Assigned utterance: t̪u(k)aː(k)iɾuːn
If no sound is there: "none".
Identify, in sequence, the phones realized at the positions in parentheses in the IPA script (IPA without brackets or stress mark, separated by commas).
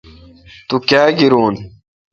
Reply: k, ɡ